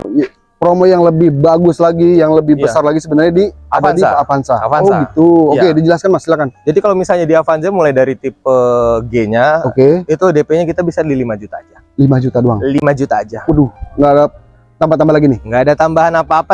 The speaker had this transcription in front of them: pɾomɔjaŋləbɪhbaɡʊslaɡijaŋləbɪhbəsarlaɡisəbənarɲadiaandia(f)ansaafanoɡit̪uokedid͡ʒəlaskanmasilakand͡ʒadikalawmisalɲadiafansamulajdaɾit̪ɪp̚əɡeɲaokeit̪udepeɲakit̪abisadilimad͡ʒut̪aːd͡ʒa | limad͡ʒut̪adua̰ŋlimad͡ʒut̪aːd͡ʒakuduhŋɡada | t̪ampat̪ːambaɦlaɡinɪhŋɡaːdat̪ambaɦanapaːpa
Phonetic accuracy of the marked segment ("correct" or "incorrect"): correct